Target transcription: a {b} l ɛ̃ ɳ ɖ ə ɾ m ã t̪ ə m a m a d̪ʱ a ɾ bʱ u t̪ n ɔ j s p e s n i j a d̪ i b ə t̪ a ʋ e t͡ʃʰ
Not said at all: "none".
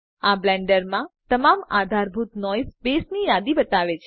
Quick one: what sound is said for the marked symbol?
b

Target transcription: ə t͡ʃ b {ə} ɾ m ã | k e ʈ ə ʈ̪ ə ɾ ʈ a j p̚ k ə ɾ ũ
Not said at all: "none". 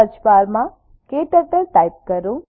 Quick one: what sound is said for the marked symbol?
a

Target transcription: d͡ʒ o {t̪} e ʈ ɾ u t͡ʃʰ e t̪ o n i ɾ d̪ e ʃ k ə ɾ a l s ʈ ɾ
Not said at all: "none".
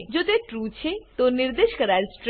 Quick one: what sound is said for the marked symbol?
t̪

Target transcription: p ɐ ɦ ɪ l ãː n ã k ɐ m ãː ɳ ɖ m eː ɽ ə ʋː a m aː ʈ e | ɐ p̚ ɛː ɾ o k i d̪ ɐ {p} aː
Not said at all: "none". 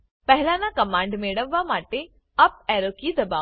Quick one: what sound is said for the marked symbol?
b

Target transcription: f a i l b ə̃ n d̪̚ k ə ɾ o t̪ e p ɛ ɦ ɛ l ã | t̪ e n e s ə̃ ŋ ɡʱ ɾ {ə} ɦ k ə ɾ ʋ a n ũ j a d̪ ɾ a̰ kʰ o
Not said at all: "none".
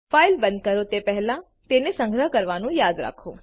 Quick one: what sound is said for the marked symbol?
ə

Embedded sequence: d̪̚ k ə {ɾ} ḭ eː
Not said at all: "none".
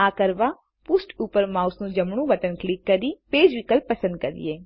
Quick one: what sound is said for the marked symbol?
ɾ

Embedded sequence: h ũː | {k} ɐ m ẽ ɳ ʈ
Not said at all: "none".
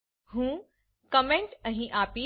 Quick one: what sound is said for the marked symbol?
k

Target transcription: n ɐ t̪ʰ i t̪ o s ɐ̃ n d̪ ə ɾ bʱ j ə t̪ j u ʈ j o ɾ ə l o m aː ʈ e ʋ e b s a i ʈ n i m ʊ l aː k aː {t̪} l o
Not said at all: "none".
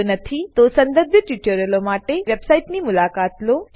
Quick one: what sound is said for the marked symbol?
t̪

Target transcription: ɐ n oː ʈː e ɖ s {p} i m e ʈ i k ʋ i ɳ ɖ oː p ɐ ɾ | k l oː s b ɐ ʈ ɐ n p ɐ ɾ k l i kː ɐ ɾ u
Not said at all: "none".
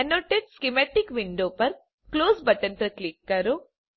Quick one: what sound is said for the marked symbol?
k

